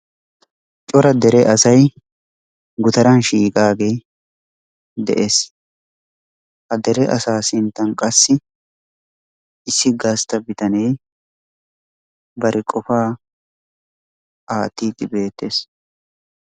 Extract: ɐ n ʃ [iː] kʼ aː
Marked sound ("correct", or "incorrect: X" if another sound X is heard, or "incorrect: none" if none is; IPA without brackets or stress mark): correct